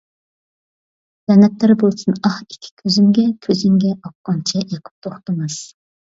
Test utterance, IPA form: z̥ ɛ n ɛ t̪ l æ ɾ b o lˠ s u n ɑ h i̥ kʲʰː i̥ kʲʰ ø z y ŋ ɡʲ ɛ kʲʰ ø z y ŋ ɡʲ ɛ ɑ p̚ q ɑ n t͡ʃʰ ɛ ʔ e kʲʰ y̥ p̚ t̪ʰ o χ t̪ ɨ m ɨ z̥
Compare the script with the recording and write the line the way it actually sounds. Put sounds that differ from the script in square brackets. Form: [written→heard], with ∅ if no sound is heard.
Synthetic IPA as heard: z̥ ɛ n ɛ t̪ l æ ɾ b o lˠ s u n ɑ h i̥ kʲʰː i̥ kʲʰ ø z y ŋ ɡʲ ɛ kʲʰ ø z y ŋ ɡʲ ɛ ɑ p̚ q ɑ n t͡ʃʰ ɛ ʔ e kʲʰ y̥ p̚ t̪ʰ o χ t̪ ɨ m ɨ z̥

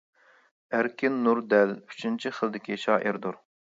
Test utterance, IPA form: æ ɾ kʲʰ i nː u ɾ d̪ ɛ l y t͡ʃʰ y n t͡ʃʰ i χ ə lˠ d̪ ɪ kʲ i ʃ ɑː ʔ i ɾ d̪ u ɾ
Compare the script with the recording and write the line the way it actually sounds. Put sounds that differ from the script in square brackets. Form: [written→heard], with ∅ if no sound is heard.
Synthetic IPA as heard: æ ɾ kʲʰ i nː u ɾ d̪ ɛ l y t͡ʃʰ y n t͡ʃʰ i χ ə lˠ d̪ ɪ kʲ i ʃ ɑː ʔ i ɾ d̪ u ɾ

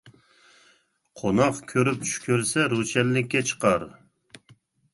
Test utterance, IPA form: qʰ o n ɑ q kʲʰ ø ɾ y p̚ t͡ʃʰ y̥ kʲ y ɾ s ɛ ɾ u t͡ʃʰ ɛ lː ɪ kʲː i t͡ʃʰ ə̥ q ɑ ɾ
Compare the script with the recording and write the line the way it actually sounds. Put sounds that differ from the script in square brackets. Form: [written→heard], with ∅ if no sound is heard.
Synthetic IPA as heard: qʰ o n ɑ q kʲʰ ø ɾ y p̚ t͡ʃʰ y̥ kʲ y ɾ s ɛ ɾ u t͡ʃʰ ɛ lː ɪ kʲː [i→ɛ] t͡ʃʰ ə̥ q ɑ ɾ

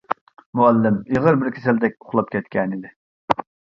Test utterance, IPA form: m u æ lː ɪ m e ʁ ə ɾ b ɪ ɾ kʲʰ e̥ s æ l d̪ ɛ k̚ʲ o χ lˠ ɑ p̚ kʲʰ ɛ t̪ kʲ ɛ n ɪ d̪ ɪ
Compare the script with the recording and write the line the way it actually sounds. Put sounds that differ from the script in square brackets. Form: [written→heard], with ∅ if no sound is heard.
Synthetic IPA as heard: m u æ lː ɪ m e ʁ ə ɾ b ɪ ɾ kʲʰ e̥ s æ l d̪ ɛ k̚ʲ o χ lˠ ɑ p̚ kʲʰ ɛ t̪ kʲ ɛ n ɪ d̪ ɪ

